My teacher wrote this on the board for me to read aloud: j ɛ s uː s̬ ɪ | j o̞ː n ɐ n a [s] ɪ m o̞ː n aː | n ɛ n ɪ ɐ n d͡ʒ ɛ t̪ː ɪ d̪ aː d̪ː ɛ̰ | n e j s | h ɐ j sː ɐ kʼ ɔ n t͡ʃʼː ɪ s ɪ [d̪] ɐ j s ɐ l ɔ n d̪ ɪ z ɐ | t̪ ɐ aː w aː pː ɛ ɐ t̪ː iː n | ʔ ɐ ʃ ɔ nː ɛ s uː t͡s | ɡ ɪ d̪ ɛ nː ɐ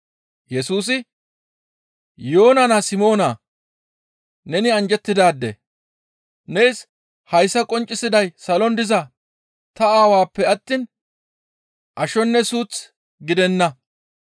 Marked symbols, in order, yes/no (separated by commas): yes, yes